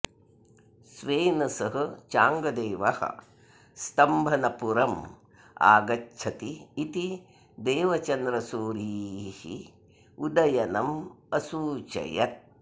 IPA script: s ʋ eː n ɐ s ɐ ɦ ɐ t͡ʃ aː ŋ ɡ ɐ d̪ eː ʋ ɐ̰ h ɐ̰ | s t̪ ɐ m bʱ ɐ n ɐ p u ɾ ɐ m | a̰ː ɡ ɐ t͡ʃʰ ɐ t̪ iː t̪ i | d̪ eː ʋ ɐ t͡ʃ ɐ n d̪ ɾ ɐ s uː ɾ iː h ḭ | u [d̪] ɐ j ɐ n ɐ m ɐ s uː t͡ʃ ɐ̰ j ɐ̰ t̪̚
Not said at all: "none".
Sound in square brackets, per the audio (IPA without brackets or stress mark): d̪